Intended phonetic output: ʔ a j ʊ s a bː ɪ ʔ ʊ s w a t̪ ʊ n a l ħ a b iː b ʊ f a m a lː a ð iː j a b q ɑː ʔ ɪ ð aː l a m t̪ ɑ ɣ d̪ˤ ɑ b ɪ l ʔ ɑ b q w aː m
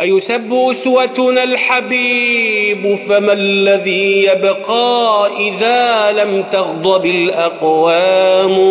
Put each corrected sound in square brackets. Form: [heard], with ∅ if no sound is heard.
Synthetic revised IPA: ʔ a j ʊ s a bː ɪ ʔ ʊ s w a t̪ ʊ n a l ħ a b iː b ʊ f a m a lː a ð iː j a b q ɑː ʔ ɪ ð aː l a m t̪ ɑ ɣ d̪ˤ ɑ b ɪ l ʔ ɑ [∅] q w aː m